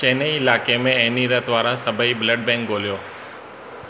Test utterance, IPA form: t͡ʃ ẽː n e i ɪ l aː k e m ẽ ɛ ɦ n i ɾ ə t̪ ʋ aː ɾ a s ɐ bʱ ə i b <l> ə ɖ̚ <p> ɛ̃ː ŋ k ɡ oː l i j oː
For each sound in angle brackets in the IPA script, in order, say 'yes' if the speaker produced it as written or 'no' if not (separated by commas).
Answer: yes, no